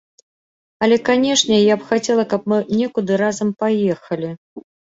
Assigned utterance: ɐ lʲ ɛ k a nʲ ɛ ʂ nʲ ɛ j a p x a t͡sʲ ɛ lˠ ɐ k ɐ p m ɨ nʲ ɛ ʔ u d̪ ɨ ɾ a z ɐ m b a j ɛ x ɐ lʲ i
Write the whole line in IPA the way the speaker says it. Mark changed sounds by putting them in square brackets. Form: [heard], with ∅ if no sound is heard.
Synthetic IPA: ɐ lʲ ɛ k a nʲ ɛ ʂ nʲ ɛ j a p x a t͡sʲ ɛ lˠ ɐ k ɐ p m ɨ nʲ ɛ [k] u d̪ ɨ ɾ a z ɐ m [p] a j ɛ x ɐ lʲ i